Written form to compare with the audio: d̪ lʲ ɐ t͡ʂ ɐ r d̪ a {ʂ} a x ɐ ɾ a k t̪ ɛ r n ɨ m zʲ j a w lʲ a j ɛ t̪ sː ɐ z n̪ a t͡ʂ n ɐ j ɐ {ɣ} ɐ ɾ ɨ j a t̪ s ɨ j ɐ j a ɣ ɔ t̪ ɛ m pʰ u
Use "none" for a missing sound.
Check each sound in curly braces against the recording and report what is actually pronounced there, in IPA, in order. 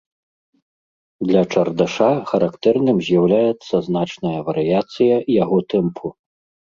ʂ, v

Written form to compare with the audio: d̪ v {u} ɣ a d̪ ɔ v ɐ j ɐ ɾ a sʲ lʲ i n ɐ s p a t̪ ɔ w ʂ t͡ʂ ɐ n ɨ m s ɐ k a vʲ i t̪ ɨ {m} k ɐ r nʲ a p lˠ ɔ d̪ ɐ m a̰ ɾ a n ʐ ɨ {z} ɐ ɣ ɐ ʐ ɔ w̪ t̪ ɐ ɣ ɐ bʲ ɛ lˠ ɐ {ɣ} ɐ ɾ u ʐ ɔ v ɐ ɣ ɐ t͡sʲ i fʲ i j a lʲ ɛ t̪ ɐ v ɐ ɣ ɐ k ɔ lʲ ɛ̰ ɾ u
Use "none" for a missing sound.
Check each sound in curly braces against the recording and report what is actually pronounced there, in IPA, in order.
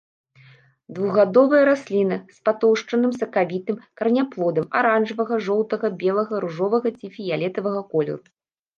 u, m, v, ɣ

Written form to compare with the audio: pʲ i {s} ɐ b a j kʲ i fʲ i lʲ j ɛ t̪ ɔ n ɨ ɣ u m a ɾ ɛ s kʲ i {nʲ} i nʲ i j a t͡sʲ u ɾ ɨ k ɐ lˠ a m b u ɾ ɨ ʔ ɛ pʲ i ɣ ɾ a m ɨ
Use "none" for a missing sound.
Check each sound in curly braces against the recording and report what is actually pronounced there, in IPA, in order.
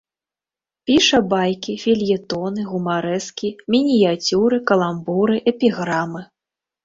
ʂ, mʲ

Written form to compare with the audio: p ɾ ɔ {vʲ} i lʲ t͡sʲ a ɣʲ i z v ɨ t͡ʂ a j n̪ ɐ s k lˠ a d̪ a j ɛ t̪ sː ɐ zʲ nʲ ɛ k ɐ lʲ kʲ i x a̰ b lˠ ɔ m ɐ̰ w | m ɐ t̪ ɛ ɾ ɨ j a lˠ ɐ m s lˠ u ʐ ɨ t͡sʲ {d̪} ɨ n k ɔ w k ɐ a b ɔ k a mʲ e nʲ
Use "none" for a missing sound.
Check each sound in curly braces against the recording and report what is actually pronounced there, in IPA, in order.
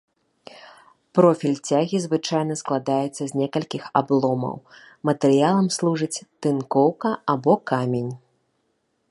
fʲ, t̪

